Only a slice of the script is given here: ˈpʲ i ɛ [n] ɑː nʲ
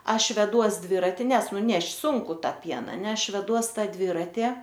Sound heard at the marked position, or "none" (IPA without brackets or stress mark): n